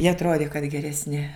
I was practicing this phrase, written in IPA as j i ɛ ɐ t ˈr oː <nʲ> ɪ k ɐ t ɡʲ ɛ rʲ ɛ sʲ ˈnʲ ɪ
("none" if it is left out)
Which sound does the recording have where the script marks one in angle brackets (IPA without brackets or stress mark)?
dʲ